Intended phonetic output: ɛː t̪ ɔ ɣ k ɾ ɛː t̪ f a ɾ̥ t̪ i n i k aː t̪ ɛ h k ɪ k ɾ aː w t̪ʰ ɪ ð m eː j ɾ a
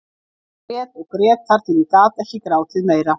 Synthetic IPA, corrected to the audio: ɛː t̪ ɔ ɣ k ɾ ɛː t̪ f a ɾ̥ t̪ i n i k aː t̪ ɛ h c ɪ k ɾ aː w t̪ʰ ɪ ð m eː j ɾ a